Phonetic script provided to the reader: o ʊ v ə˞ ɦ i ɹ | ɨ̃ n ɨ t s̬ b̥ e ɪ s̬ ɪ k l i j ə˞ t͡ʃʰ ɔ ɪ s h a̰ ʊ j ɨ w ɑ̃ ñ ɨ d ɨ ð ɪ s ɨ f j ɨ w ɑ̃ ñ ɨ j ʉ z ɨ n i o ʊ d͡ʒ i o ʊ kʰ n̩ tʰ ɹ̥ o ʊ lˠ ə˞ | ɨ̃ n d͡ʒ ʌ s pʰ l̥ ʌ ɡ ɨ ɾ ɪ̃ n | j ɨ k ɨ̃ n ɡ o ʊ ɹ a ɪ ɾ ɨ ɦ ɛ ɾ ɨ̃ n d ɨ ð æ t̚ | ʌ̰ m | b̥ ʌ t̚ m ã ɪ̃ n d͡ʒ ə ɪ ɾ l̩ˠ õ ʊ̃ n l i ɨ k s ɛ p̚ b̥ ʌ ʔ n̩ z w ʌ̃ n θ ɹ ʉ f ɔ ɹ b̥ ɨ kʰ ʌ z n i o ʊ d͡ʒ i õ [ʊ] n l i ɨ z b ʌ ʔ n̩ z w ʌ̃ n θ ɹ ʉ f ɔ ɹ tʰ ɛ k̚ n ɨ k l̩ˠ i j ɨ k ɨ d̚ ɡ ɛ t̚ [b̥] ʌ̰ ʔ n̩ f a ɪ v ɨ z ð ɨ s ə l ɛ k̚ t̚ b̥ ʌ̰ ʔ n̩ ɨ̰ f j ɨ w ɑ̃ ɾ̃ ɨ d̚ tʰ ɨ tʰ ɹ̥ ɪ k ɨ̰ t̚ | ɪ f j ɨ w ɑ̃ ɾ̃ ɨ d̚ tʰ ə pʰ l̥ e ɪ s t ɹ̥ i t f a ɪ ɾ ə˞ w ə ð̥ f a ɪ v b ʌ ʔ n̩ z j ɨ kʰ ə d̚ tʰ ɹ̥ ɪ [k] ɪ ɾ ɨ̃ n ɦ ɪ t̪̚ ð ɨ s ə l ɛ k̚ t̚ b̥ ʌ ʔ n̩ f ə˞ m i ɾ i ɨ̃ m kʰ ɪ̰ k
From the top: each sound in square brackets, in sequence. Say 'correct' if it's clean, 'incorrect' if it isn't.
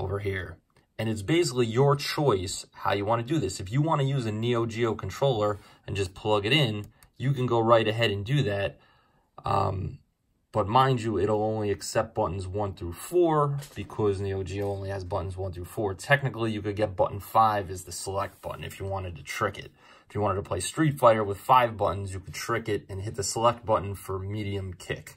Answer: incorrect: ʊ̃, correct, correct

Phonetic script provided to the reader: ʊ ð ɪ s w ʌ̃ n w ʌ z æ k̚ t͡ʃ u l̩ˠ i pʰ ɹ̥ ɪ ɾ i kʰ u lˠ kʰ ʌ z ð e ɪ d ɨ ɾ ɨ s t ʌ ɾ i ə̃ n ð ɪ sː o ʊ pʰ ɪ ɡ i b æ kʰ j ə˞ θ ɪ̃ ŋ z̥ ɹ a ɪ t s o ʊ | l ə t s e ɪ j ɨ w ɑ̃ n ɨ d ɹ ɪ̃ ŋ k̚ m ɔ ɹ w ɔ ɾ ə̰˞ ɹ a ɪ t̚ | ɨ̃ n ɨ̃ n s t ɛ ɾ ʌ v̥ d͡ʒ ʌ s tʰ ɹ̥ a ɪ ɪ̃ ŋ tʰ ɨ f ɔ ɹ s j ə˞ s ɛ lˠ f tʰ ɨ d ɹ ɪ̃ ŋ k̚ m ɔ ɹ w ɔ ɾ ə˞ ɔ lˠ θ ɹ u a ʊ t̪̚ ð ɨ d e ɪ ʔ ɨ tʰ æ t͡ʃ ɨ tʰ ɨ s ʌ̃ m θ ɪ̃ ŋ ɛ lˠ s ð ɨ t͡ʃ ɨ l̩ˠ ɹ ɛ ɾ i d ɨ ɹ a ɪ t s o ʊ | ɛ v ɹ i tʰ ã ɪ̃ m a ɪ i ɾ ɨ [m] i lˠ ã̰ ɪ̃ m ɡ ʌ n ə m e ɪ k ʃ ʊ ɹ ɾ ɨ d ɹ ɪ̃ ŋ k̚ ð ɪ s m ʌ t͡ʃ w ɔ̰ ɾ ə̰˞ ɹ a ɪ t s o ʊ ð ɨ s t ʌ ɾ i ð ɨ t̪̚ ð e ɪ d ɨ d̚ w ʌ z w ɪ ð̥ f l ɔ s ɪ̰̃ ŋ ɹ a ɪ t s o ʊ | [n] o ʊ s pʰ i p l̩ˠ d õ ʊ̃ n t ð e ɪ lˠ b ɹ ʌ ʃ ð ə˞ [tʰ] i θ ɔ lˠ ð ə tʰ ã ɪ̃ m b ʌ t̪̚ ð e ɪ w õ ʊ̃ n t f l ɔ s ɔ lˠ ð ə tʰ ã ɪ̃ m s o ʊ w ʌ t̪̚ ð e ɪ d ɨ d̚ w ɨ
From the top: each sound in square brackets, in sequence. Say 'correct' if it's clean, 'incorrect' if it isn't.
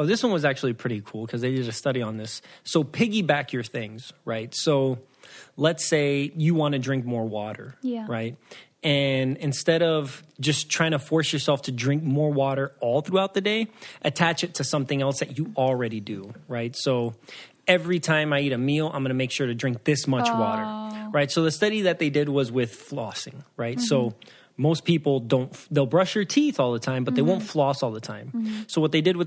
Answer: correct, incorrect: m, correct

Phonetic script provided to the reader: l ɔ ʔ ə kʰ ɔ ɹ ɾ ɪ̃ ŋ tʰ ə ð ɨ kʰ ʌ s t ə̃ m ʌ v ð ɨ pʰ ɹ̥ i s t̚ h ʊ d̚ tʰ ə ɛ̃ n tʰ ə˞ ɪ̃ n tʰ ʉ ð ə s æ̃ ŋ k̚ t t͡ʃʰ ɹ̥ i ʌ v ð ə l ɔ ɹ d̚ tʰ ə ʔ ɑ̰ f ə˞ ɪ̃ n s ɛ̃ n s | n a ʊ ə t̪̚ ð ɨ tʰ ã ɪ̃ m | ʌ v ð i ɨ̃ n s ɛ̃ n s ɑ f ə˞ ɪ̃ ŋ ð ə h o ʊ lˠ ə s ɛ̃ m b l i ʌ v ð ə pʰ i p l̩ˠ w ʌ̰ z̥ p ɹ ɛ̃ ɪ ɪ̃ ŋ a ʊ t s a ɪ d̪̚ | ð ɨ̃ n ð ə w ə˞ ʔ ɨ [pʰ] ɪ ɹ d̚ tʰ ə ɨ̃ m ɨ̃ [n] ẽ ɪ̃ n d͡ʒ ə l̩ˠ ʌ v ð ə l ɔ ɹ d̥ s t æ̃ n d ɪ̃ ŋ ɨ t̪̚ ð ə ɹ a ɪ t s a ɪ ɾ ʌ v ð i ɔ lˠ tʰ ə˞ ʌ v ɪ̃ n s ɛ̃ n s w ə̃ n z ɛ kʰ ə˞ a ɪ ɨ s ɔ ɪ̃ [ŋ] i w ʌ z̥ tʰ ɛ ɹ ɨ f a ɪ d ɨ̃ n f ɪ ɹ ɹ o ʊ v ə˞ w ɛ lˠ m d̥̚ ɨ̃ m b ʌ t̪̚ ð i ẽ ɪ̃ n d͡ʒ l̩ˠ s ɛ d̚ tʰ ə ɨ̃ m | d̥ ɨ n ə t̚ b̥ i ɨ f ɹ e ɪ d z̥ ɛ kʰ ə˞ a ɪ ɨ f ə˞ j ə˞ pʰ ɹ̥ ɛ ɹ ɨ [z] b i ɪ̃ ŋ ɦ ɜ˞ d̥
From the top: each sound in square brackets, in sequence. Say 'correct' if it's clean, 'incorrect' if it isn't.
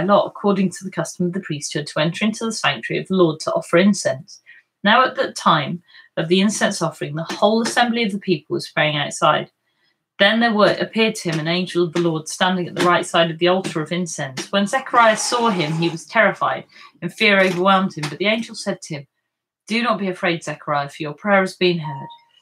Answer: correct, correct, incorrect: m, correct

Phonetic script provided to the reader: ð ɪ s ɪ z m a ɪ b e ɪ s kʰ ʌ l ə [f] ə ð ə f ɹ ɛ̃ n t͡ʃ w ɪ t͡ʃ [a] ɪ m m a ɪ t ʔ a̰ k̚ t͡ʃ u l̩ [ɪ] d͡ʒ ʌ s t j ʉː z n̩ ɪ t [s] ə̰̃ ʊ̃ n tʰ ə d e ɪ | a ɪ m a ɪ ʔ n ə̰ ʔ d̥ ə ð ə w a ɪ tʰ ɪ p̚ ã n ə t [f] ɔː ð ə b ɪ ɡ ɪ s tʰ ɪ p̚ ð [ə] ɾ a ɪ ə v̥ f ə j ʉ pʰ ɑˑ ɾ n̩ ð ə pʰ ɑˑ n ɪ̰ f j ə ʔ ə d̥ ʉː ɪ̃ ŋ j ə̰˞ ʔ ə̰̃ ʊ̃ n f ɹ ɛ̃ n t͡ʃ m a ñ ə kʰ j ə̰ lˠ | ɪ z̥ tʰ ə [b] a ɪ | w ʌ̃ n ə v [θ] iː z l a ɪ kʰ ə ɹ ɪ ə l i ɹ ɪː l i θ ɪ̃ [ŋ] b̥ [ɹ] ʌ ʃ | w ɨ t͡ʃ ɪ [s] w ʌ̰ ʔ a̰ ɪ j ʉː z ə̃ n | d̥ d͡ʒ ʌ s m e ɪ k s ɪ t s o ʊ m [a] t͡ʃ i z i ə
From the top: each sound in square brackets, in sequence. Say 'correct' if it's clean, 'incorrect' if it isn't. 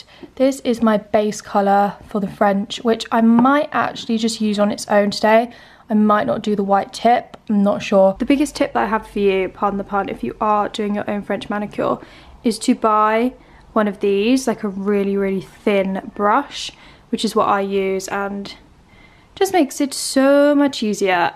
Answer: correct, correct, incorrect: i, correct, incorrect: ʃ, correct, correct, incorrect: ð, incorrect: n, correct, incorrect: z, incorrect: ʌ

